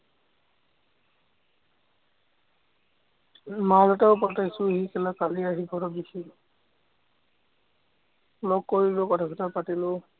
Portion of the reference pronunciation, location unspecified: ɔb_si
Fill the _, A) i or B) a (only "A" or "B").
A